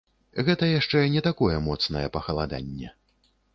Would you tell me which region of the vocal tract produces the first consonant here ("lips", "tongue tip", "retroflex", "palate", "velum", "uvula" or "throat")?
velum